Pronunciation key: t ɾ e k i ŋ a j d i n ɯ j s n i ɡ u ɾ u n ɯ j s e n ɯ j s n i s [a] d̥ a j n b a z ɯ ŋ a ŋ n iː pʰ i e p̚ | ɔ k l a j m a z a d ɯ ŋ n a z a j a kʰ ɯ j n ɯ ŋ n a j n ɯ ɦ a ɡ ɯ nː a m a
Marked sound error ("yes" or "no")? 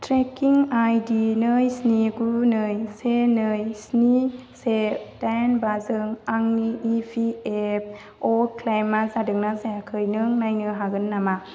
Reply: yes